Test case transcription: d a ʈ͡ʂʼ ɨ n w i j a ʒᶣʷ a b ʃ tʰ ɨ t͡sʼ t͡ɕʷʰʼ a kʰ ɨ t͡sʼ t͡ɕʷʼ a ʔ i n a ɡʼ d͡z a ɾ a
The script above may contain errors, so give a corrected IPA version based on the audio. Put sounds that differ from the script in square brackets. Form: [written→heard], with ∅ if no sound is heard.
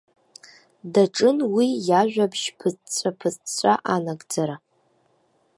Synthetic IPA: d a ʈ͡ʂʼ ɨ n w i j a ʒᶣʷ a b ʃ [tʰ→pʰ] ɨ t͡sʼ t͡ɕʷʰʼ a [kʰ→pʰ] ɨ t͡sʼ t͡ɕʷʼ a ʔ [i→a] n a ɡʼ d͡z a ɾ a